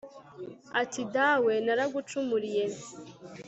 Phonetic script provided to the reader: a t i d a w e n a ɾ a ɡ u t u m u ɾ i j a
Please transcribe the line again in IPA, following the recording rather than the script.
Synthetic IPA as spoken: a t i d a w e n a ɾ a ɡ u t͡ʃ u m u ɾ i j e